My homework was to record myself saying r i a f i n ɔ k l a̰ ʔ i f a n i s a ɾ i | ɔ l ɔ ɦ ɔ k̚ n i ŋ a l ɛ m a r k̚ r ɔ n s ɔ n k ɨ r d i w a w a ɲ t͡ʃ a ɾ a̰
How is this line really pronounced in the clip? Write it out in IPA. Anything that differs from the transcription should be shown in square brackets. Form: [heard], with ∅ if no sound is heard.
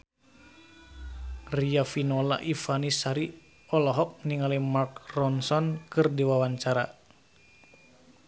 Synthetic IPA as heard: r i a f i n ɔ [∅] l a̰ ʔ i f a n i s a ɾ i | ɔ l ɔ ɦ ɔ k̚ n i ŋ a l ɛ m a r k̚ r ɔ n s ɔ n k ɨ r d i w a w a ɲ t͡ʃ a ɾ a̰